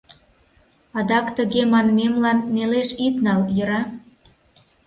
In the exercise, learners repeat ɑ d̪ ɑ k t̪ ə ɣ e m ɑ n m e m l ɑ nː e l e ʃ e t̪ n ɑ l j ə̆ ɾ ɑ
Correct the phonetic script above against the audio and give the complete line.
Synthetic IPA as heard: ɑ d̪ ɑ k t̪ ə ɣ e m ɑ n m e m l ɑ nː e l e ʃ i t̪ n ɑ l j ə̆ ɾ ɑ

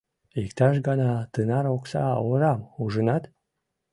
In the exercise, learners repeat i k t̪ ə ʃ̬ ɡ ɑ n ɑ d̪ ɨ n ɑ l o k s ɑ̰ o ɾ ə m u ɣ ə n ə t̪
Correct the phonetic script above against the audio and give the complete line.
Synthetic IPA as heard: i k t̪ ɑ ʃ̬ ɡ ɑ n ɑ t̪ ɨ n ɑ ɾ o k s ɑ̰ o ɾ ɑ m u ʒ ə n ɑ t̪

